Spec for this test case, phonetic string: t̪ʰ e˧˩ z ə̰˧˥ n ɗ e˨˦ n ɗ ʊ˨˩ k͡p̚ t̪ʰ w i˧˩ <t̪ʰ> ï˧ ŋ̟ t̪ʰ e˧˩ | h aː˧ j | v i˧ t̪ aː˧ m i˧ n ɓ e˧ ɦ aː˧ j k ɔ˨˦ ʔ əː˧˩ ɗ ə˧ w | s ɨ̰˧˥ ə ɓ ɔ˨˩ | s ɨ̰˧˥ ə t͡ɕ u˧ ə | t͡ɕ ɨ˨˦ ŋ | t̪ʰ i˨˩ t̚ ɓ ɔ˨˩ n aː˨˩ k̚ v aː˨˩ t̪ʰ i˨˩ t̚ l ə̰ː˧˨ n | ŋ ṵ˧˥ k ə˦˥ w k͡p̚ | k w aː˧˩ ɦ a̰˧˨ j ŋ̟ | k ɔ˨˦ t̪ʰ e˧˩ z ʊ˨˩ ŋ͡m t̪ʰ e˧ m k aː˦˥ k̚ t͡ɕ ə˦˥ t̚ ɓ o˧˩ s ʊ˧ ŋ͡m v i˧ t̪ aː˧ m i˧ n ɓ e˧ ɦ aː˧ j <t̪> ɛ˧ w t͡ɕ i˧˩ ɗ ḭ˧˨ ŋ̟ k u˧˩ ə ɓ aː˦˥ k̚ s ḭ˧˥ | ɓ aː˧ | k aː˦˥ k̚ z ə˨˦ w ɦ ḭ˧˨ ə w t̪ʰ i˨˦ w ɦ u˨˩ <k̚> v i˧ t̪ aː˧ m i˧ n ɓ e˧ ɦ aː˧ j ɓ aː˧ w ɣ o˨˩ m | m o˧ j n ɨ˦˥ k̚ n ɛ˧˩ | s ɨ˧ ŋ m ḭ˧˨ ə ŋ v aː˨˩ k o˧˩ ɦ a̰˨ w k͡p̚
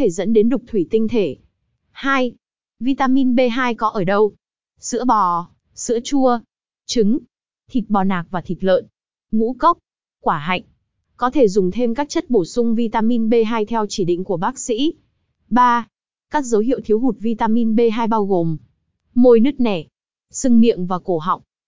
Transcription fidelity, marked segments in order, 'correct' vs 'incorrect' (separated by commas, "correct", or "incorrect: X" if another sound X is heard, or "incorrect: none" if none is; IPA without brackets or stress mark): incorrect: t̪, incorrect: t̪ʰ, incorrect: t̚